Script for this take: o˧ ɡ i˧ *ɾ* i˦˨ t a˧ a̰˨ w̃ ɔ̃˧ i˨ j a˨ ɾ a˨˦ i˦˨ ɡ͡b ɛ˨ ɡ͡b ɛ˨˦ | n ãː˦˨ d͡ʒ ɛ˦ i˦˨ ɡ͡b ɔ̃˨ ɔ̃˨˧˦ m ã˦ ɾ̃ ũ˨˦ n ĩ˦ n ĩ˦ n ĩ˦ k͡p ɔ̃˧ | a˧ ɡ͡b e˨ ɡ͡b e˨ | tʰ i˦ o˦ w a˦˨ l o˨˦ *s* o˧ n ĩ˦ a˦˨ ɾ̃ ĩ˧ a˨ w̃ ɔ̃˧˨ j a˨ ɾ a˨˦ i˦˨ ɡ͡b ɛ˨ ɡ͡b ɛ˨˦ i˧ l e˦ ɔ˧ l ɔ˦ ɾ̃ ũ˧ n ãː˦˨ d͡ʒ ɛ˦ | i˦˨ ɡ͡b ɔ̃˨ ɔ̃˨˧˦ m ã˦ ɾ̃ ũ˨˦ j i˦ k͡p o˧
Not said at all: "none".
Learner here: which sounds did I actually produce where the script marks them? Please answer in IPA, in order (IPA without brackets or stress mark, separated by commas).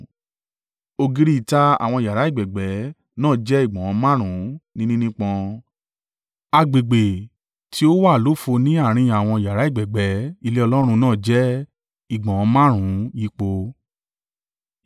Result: ɾ, f